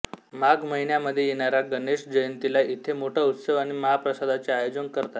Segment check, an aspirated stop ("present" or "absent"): present